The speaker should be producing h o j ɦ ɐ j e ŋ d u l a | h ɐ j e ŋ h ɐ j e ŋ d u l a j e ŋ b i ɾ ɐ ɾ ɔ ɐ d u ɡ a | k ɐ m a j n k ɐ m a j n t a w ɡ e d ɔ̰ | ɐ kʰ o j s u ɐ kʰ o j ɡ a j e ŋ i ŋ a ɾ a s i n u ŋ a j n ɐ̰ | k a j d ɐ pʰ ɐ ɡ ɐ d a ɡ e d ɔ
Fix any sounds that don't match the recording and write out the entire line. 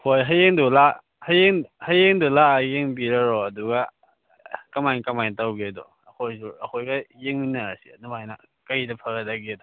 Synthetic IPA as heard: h o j ɦ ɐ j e ŋ d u l a | h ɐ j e ŋ h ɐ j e ŋ d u l a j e ŋ b i ɾ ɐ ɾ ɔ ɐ d u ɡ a | k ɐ m a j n k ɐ m a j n t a w ɡ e d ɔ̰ | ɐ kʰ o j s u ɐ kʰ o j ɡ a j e ŋ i n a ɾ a s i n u m a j n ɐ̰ | k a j d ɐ pʰ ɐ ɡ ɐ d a ɡ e d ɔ